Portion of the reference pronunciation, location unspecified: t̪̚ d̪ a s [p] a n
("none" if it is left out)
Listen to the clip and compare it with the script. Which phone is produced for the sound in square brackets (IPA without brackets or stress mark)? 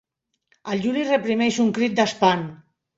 p